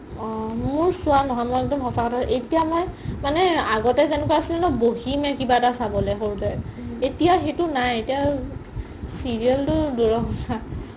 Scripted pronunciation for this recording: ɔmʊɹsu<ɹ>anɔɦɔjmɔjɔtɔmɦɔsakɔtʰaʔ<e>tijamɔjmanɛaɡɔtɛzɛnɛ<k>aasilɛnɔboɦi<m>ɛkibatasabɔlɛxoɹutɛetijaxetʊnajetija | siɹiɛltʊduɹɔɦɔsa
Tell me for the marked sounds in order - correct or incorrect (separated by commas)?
incorrect, correct, correct, correct